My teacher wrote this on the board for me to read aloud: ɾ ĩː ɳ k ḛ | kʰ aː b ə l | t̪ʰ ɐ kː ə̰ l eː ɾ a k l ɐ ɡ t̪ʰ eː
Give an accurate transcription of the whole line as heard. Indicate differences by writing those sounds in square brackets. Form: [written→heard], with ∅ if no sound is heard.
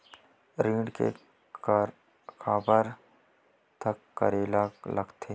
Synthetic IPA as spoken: ɾ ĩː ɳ k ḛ | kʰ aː b ə [l→ɾ] | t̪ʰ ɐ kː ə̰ [l→ɾ] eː [ɾ→l] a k l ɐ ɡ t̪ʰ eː

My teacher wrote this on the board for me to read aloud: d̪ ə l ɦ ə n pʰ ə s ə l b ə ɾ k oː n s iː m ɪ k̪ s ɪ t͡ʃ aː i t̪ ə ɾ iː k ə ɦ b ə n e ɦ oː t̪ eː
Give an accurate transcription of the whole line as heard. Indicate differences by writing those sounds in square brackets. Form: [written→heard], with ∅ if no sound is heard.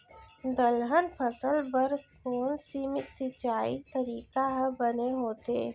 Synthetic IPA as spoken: d̪ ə l ɦ ə n pʰ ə s ə l b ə ɾ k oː n s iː m ɪ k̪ s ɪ t͡ʃ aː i t̪ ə ɾ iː k [ə→a] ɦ b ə n e ɦ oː t̪ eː

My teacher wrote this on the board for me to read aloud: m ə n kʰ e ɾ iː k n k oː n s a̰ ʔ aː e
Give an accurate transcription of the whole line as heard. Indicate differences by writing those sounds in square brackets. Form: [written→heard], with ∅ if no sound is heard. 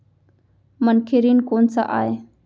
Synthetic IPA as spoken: m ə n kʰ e ɾ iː [k→∅] n k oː n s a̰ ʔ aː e

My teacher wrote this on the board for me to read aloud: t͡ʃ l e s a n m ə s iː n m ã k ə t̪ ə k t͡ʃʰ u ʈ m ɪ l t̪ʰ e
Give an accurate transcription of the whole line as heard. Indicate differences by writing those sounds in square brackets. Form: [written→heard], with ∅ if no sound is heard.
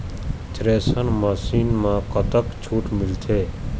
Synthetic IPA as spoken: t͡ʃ [l→ɾ] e s [a→ə] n m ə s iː n m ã k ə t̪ ə k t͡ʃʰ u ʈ m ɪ l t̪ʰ e

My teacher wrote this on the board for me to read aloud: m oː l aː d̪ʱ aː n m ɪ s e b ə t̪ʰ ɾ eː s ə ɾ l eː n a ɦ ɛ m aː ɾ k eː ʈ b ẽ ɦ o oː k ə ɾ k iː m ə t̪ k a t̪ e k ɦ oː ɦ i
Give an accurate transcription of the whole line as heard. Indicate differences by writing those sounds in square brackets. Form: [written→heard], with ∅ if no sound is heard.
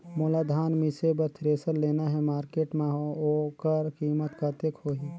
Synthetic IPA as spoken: m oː l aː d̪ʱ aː n m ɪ s e b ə t̪ʰ ɾ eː s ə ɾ l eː n a ɦ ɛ m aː ɾ k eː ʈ [b→m] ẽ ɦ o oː k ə ɾ k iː m ə t̪ k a t̪ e k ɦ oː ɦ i

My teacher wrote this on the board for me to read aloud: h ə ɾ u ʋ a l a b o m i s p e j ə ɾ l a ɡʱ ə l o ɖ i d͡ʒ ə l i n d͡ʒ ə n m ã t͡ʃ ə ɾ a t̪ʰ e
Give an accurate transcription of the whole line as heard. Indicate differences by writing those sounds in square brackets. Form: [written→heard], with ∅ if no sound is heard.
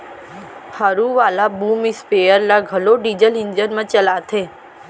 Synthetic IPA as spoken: h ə ɾ u ʋ a l a b [o→u] m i s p e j ə ɾ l a ɡʱ ə l o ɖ i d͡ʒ ə l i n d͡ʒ ə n m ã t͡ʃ ə [ɾ→l] a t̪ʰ e

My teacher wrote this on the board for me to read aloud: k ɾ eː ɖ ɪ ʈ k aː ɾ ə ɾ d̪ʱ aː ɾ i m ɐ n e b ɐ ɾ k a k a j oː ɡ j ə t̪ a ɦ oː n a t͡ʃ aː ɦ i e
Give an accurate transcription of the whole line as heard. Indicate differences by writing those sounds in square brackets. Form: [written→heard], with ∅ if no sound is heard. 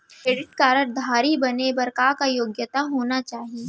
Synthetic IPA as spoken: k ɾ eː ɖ ɪ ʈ k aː ɾ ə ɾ d̪ʱ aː ɾ i [m→b] ɐ n e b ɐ ɾ k a k a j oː ɡ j ə t̪ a ɦ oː n a t͡ʃ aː ɦ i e

